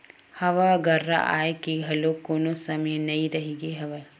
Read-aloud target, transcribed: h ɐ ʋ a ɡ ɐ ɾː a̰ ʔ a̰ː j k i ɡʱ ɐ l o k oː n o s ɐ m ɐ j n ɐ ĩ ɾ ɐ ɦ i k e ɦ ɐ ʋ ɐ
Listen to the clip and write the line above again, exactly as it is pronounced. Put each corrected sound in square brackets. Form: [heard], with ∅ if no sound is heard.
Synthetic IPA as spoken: h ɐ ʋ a ɡ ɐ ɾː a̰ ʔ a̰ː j k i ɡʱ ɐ l o k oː n o s ɐ m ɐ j n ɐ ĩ ɾ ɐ ɦ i [ɡ] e ɦ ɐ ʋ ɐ